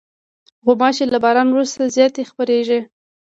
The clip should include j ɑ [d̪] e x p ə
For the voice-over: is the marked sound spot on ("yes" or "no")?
no